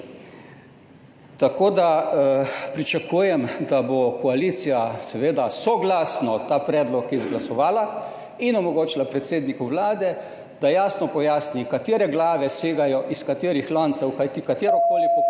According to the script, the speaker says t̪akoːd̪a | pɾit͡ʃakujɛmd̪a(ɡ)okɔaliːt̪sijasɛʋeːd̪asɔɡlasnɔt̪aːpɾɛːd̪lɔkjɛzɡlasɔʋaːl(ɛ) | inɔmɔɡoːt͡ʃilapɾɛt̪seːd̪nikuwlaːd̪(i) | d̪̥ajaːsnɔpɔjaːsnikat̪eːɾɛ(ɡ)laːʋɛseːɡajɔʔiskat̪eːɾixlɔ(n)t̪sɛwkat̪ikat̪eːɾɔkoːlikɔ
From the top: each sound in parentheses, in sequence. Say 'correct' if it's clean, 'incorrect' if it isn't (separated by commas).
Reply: incorrect, incorrect, incorrect, correct, correct